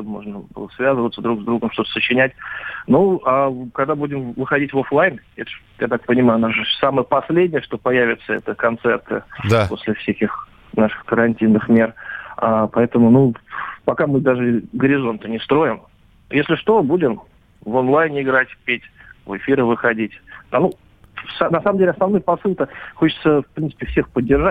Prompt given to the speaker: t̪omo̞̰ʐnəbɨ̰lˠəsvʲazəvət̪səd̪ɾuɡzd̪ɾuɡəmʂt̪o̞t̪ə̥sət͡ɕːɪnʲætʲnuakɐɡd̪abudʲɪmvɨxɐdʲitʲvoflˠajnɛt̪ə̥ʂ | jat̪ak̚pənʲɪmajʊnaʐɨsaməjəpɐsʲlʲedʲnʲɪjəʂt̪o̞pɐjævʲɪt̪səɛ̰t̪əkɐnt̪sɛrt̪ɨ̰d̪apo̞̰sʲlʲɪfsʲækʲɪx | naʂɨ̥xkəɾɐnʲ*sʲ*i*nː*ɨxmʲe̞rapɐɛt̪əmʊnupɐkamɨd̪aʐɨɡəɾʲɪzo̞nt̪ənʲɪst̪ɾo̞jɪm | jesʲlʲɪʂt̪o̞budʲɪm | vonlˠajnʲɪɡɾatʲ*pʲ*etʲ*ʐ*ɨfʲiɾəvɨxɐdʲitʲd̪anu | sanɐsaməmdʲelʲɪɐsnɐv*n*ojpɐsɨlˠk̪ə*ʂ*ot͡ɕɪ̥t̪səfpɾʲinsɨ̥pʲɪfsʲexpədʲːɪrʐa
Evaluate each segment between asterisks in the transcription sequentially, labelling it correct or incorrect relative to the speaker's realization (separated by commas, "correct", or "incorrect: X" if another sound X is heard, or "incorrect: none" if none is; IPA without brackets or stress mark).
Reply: incorrect: tʲ, correct, correct, incorrect: v, correct, incorrect: x